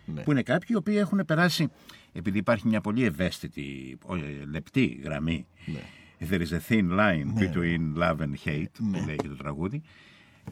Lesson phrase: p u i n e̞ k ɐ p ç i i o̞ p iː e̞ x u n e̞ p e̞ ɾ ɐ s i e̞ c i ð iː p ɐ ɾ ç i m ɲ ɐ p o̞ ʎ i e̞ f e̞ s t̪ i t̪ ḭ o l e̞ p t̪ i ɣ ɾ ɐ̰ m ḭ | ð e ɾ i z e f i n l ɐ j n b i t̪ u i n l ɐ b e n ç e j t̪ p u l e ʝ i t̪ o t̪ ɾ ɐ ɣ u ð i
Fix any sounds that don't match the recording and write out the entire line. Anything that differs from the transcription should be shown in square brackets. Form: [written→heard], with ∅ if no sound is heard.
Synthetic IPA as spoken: p u i n e̞ k ɐ p ç i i o̞ p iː e̞ x u n e̞ p e̞ ɾ ɐ s i e̞ [c→p] i ð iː p ɐ ɾ ç i m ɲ ɐ p o̞ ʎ i e̞ [f→v] e̞ s t̪ i t̪ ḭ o l e̞ p t̪ i ɣ ɾ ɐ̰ m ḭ | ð e ɾ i z e [f→θ] i n l ɐ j n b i t̪ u i n l ɐ [b→v] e n ç e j t̪ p u l e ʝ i t̪ o t̪ ɾ ɐ ɣ u ð i